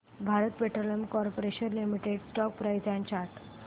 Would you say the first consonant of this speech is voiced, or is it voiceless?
voiced